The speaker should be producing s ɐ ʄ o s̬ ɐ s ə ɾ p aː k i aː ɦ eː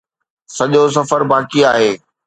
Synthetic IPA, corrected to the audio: s ɐ ʄ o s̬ ɐ f ə ɾ b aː k i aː ɦ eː